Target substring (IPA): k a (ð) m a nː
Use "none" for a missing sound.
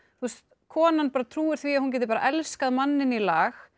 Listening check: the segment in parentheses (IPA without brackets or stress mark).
ð